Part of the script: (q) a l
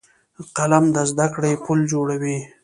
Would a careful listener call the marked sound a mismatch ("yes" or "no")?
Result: no